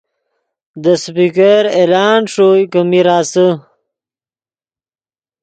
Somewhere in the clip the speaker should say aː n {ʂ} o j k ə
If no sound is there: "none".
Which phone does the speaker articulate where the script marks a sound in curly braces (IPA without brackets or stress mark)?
ʂ